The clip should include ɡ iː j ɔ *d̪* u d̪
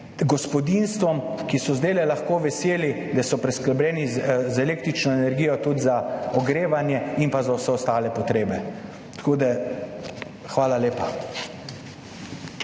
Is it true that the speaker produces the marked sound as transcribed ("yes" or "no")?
no